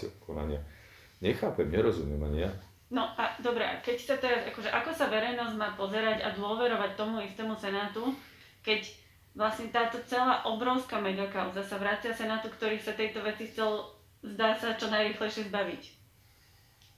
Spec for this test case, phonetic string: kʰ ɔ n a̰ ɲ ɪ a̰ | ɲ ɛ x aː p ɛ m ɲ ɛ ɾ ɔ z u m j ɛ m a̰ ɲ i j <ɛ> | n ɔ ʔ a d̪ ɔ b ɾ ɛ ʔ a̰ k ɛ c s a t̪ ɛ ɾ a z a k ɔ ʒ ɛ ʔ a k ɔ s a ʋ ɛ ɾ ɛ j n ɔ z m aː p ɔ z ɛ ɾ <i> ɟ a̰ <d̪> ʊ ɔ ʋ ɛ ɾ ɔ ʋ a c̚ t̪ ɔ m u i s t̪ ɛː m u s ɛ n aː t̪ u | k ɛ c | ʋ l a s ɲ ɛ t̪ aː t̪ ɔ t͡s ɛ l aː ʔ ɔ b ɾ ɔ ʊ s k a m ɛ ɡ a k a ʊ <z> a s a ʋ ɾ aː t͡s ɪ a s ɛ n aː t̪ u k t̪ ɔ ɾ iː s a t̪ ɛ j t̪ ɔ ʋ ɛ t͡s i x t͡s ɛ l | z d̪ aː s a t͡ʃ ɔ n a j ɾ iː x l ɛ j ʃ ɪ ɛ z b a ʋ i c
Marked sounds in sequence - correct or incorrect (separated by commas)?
incorrect, incorrect, correct, correct